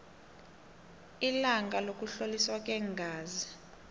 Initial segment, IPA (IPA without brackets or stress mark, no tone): i